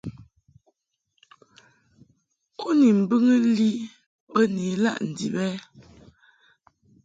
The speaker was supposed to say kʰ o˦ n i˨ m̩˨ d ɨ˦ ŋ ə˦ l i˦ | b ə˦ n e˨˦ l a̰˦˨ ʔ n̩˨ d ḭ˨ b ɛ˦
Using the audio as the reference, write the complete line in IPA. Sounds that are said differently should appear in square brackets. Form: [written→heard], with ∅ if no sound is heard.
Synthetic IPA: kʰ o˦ n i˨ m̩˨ [d→b] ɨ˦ ŋ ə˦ l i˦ | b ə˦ n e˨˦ l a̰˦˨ ʔ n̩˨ d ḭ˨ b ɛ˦